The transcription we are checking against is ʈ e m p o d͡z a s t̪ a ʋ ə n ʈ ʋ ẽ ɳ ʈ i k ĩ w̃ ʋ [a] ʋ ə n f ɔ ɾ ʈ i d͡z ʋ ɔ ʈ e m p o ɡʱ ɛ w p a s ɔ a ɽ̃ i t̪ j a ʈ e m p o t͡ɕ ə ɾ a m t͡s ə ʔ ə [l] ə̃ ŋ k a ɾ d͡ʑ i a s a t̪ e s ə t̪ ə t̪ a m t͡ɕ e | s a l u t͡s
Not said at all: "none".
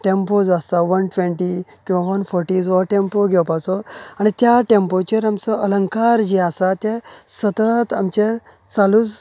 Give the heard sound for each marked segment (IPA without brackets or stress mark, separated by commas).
a, l